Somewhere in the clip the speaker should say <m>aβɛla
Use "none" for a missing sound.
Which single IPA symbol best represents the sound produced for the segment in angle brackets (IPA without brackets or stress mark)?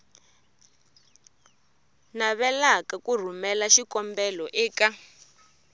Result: n